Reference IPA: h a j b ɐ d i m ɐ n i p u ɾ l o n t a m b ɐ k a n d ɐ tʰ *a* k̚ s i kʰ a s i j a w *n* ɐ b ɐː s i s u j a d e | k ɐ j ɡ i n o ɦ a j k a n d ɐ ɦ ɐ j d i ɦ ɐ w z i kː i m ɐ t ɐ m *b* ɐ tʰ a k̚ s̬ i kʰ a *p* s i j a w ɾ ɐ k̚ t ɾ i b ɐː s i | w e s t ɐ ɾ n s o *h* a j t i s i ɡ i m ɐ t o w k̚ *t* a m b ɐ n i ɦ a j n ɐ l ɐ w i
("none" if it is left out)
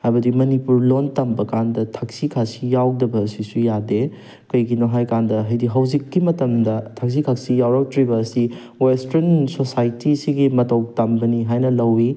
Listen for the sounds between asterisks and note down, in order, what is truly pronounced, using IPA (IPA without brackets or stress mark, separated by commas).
a, d, d, k, s, t